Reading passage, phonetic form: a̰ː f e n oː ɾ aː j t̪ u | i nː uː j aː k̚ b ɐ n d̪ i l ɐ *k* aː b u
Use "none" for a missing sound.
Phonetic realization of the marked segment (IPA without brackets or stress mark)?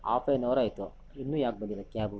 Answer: k